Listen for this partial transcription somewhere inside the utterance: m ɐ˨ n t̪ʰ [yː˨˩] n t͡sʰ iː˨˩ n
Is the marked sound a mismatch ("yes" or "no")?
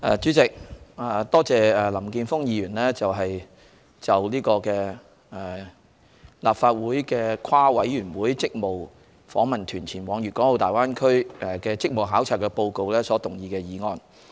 no